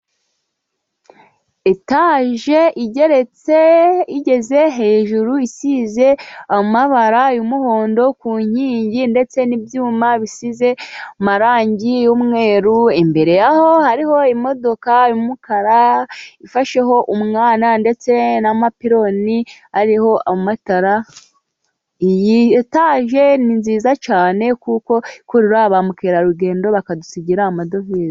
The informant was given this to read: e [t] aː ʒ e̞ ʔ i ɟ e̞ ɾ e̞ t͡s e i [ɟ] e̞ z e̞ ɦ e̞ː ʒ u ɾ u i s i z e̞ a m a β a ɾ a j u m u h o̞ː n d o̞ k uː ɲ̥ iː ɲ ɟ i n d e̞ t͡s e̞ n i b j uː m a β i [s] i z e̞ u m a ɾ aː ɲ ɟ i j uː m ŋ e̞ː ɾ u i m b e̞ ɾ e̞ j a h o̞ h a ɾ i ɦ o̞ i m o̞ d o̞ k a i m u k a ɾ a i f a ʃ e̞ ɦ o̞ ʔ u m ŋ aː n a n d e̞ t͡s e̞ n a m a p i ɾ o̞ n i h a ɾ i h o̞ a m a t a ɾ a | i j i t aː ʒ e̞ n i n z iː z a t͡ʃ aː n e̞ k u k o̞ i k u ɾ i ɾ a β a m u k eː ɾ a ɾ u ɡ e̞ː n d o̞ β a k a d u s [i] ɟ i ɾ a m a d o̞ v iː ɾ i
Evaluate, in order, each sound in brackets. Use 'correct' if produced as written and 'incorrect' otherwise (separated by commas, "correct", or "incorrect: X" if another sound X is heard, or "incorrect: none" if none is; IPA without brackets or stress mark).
correct, correct, correct, correct